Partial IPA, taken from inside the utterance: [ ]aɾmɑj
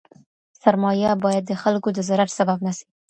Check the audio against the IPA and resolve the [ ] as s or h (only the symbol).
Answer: s